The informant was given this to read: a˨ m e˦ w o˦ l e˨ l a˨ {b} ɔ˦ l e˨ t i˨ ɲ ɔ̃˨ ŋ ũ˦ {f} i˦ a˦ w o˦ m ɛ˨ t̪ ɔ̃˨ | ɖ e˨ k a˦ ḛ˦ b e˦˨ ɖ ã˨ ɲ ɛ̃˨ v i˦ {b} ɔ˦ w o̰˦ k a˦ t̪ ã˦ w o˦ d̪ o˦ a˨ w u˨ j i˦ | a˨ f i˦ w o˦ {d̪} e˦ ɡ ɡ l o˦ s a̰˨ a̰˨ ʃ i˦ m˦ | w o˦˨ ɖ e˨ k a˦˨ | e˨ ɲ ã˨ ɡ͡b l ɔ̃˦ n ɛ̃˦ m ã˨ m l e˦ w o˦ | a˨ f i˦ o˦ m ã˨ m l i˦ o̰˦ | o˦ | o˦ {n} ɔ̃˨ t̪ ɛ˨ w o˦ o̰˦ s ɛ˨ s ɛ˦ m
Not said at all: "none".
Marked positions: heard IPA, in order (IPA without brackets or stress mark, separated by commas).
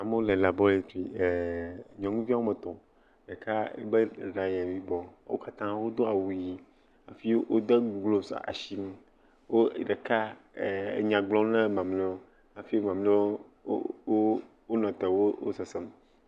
b, v, b, d̪, n